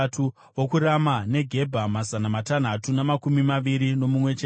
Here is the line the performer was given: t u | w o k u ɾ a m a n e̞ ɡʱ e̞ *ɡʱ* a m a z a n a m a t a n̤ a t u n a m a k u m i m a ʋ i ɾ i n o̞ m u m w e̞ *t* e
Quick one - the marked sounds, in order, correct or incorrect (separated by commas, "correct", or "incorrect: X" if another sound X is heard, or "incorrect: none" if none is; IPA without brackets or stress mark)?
incorrect: bʱ, incorrect: t͡ʃ